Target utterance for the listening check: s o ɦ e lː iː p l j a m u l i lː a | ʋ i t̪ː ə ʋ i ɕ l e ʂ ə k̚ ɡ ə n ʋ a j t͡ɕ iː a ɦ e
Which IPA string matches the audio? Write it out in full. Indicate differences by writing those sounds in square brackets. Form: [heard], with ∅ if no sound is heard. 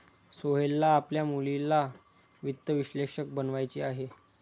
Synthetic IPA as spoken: s o ɦ e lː [aː] p l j a m u l i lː a | ʋ i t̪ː ə ʋ i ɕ l e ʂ ə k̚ [b] ə n ʋ a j t͡ɕ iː a ɦ e